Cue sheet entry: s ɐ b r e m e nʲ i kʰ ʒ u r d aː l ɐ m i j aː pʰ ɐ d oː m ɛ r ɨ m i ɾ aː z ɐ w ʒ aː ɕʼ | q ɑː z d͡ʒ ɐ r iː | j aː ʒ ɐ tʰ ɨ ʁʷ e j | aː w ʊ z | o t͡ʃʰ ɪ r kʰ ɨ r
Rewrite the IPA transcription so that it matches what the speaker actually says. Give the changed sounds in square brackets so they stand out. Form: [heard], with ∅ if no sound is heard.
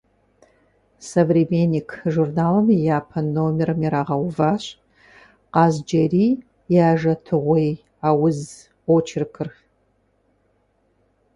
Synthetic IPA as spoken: s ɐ [v] r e m e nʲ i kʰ ʒ u r [n] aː l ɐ m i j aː pʰ ɐ [n] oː m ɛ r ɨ m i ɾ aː [ʁ] ɐ w [v] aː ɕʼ | q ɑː z d͡ʒ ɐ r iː | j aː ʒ ɐ tʰ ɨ ʁʷ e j | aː w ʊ z | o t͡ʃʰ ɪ r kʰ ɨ r